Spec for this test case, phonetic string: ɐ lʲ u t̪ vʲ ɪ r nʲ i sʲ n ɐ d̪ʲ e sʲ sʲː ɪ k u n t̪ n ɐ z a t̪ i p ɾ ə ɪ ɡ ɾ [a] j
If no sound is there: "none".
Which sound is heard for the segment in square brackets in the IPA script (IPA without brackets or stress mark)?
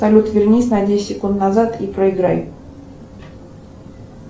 a